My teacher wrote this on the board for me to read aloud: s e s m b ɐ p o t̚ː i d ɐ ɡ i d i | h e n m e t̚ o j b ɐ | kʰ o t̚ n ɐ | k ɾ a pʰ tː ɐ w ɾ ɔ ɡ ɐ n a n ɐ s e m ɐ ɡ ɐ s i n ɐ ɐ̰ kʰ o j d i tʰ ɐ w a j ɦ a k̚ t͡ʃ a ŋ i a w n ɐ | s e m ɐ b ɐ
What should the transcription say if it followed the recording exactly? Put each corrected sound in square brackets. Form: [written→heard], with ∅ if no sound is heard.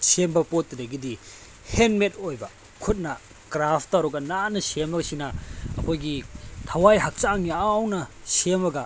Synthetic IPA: s e [s→∅] m b ɐ p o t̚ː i d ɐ ɡ i d i | h e n m e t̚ o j b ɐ | kʰ [o→u] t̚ n ɐ | k ɾ a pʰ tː [ɐ→a] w ɾ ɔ ɡ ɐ n a n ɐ s e m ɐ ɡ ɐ s i n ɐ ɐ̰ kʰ o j [d→ɡ] i tʰ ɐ w a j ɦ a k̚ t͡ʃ a ŋ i a w n ɐ | s e m ɐ [b→ɡ] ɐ